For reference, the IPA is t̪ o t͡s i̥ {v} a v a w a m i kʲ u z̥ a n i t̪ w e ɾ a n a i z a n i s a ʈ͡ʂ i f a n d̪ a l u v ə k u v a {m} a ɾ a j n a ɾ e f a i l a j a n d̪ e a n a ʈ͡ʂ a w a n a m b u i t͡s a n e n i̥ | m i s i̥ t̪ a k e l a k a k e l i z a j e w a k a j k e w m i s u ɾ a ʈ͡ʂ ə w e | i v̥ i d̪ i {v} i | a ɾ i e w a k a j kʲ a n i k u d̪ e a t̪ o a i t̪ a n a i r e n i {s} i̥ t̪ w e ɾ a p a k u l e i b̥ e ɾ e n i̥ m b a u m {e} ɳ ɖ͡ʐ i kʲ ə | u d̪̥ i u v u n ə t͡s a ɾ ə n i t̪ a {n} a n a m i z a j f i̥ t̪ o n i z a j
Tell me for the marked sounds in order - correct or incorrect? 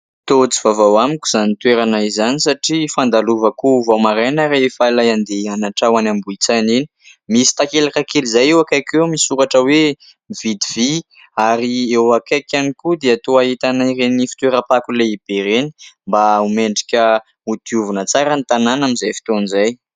correct, correct, correct, incorrect, correct, correct

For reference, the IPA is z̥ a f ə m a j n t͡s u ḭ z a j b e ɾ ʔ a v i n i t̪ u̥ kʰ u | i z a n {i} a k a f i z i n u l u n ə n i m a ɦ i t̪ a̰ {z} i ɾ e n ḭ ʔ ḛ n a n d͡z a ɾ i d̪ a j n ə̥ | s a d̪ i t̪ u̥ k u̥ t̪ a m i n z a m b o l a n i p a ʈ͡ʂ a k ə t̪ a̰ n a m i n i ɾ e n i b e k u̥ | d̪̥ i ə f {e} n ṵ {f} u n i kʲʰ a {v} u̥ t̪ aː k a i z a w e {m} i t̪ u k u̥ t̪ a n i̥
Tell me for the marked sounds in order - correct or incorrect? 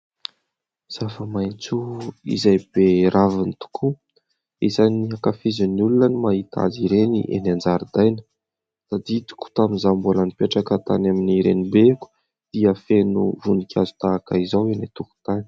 correct, correct, correct, incorrect, incorrect, incorrect

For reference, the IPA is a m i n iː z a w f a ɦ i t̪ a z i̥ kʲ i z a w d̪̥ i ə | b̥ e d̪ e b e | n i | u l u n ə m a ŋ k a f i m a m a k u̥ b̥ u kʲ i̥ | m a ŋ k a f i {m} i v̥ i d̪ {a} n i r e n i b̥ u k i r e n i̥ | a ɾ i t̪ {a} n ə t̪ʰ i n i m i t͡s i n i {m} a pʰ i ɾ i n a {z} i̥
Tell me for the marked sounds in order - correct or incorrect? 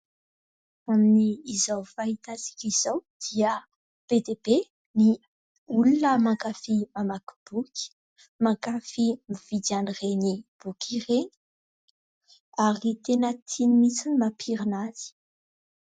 correct, correct, incorrect, correct, correct

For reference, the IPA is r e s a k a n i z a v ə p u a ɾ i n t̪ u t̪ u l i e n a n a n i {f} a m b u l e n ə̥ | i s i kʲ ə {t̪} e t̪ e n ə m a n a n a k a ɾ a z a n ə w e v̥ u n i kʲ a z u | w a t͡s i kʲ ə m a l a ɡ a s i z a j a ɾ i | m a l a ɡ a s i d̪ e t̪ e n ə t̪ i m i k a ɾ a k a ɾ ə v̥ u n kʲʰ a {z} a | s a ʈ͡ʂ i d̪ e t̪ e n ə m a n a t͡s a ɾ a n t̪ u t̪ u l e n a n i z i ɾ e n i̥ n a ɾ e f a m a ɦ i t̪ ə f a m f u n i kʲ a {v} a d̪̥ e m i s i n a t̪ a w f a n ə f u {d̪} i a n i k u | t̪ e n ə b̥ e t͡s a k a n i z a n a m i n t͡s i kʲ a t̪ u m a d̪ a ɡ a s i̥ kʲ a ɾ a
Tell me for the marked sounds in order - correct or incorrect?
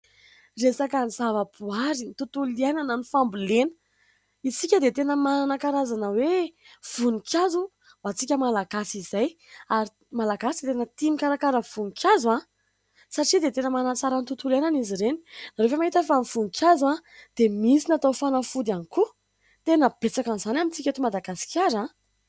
correct, incorrect, correct, incorrect, correct

